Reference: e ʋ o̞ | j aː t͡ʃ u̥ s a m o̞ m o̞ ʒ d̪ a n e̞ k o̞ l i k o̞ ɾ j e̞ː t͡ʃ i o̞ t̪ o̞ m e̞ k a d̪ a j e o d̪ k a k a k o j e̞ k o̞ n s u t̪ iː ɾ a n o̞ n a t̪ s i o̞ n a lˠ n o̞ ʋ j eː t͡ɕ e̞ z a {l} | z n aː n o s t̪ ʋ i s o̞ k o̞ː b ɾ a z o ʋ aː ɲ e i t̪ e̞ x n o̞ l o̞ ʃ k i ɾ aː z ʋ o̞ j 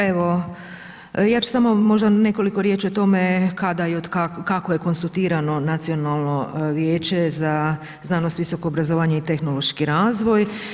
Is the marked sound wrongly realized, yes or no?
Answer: yes